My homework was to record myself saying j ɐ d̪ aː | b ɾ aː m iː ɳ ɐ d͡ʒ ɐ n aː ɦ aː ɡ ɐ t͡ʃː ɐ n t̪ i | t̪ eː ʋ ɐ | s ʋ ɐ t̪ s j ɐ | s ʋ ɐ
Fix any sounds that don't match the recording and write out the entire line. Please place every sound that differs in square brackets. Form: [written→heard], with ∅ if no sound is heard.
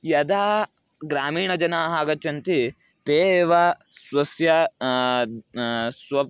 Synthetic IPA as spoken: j ɐ d̪ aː | [b→ɡ] ɾ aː m iː ɳ ɐ d͡ʒ ɐ n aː ɦ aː ɡ ɐ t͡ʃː ɐ n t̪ i | t̪ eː ʋ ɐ | s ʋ ɐ [t̪→∅] s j ɐ | s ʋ ɐ